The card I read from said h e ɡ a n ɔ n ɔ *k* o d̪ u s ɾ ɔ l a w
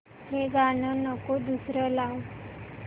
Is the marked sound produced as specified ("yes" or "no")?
yes